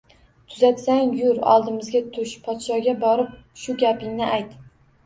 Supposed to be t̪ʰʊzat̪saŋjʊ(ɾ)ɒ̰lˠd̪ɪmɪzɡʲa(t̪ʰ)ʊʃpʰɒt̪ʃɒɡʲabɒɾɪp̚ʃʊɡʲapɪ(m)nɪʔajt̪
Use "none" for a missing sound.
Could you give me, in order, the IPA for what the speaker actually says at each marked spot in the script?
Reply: ɾ, t̪ʰ, ŋ

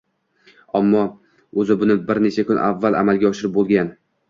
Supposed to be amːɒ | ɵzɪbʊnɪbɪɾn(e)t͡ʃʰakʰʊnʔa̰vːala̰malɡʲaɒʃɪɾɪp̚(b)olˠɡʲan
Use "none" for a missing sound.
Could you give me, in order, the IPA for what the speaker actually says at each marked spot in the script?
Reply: e, b

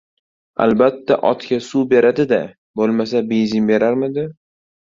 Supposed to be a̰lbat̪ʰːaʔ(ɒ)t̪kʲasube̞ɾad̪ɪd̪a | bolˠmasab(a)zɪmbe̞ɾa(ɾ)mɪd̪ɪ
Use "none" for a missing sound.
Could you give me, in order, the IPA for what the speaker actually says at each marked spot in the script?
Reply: ɒ, e, ɾ

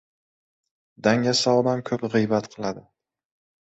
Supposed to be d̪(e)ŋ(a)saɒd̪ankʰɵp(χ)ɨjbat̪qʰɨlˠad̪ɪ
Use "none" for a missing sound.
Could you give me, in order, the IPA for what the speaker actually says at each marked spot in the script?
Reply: a, a, ʁ

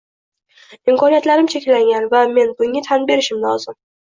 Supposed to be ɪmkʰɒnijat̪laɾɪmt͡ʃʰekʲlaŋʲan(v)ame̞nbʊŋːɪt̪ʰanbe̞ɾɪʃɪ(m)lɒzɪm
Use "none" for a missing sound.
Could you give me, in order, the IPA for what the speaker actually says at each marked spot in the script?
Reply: v, m

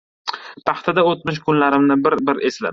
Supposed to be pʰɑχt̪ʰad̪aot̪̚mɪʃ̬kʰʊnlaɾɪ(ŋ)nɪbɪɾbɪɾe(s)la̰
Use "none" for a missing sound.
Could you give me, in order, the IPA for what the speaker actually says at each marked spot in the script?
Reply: m, s

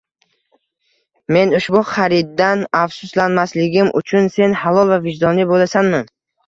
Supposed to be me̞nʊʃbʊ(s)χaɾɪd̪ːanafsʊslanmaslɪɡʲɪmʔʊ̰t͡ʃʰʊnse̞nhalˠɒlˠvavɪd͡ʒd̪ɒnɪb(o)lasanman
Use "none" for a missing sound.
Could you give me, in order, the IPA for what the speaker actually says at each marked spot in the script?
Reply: none, o

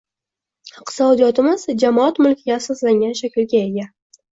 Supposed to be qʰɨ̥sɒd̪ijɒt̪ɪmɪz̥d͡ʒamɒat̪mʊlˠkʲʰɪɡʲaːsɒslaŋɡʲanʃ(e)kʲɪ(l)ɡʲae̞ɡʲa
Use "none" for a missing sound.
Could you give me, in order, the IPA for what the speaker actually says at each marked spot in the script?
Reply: a, l

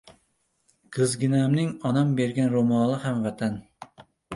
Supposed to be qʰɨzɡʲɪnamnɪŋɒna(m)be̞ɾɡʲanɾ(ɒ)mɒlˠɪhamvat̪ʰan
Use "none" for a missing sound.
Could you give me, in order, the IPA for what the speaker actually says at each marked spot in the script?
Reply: m, o

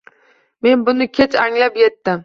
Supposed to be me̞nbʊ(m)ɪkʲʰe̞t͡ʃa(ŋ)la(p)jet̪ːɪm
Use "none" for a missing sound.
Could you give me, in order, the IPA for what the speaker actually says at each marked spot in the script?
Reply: n, ŋ, p

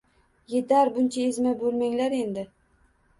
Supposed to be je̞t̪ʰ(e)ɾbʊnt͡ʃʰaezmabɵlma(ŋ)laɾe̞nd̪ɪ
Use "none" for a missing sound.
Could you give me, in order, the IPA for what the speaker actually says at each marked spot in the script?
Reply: a, ŋ

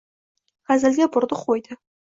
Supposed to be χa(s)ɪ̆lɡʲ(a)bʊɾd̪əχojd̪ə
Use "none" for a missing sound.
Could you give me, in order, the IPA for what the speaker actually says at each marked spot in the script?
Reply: z, e

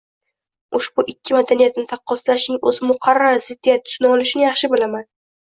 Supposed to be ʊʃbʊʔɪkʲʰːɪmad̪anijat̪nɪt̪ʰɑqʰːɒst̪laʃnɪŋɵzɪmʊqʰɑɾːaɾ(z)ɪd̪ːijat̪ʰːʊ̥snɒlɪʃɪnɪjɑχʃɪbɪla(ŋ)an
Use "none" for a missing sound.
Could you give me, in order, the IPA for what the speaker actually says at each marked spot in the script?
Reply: z, m

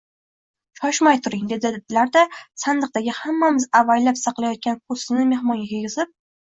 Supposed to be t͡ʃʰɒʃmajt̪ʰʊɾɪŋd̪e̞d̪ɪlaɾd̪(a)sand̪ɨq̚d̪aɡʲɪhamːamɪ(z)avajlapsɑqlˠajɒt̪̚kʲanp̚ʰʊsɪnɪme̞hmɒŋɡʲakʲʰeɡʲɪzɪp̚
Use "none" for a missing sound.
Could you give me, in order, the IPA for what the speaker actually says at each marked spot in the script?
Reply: a, z

